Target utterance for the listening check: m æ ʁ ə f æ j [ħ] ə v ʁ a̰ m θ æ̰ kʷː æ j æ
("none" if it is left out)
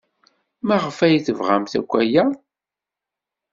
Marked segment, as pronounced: θ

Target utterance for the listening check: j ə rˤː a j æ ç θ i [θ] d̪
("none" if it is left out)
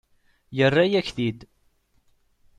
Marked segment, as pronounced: none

